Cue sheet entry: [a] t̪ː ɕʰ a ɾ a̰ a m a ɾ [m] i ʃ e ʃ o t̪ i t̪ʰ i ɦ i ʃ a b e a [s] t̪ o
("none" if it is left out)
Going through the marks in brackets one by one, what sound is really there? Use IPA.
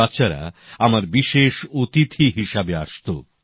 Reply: a, b, ʃ

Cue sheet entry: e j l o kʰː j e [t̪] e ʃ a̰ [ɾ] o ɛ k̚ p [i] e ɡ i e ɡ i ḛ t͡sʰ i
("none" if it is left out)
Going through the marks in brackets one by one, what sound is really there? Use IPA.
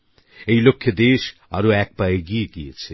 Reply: d̪, ɾ, a

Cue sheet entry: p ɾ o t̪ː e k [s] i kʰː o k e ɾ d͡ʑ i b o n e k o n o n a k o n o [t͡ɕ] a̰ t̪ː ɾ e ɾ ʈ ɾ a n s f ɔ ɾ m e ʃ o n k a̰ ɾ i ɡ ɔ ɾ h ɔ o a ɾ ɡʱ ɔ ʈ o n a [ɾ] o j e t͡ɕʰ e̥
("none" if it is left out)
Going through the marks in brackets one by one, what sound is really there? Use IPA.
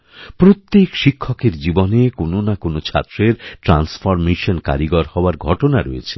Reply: ʃ, t͡ɕʰ, ɾ

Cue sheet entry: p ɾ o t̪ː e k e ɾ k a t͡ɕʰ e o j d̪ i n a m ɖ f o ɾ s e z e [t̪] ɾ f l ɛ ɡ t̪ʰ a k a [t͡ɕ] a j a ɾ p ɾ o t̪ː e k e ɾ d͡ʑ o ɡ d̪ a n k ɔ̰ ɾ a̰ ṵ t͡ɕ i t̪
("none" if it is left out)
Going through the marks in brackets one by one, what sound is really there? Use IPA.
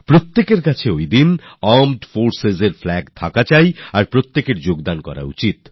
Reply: none, t͡ɕ

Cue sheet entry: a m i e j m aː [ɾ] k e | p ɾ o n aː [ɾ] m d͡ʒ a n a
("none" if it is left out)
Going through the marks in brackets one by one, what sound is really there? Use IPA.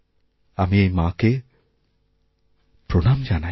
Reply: none, none

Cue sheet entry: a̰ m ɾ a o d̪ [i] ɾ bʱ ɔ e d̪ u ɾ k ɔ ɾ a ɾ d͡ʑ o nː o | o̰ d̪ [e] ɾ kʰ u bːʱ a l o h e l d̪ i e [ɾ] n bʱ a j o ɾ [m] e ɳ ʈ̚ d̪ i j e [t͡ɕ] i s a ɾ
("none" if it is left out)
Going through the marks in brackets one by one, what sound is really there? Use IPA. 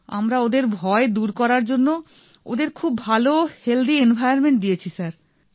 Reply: e, e, none, m, t͡ɕʰ

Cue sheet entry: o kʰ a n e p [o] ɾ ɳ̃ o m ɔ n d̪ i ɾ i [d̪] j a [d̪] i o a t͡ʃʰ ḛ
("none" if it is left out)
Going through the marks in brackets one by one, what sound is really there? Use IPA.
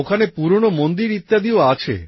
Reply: u, t̪, d̪

